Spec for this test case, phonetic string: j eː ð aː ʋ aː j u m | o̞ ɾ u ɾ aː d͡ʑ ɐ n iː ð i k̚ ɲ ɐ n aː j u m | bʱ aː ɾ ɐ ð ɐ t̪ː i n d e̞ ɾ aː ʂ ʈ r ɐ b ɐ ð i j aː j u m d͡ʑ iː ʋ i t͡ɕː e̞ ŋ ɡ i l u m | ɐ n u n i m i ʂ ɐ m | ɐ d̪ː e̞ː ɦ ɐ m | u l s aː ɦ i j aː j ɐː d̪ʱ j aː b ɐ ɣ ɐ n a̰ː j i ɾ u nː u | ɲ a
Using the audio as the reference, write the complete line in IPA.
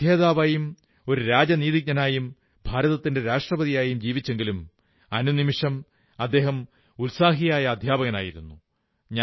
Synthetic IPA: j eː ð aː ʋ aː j u m | o̞ ɾ u ɾ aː d͡ʑ ɐ n iː ð i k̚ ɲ ɐ n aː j u m | bʱ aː ɾ ɐ ð ɐ t̪ː i n d e̞ ɾ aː ʂ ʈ r ɐ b ɐ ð i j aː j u m d͡ʑ iː ʋ i t͡ɕː e̞ ŋ ɡ i l u m | ɐ n u n i m i ʂ ɐ m | ɐ d̪ː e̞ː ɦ ɐ m | u l s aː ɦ i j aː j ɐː d̪ʱ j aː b ɐ ɣ ɐ n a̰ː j i ɾ u nː u | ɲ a